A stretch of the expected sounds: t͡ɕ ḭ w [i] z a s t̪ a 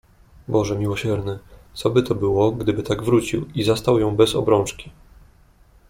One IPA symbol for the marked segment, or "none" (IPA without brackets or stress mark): i